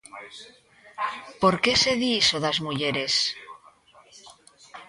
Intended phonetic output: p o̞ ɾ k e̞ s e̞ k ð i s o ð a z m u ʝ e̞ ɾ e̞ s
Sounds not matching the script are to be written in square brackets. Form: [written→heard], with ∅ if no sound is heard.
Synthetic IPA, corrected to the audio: p o̞ ɾ k e̞ s e̞ [k→∅] ð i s o ð a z m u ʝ e̞ ɾ e̞ s